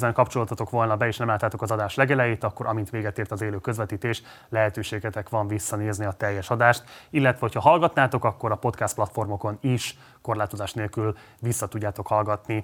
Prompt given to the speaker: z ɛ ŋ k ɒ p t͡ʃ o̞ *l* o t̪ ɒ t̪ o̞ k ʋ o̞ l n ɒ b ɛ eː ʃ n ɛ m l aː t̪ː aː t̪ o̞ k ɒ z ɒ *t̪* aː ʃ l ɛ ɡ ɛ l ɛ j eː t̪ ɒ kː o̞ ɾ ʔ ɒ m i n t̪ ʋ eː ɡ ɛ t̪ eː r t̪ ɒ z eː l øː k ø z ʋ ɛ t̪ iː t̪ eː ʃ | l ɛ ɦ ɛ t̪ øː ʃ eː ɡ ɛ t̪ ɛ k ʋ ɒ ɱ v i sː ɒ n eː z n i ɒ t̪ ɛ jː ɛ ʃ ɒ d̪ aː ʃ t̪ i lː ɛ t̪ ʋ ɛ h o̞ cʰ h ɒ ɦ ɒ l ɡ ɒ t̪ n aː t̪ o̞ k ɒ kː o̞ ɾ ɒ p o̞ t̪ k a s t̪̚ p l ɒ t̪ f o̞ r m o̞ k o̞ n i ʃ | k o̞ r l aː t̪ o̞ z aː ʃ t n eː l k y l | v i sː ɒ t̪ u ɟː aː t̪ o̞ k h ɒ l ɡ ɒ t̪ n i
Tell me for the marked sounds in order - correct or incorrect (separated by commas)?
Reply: correct, incorrect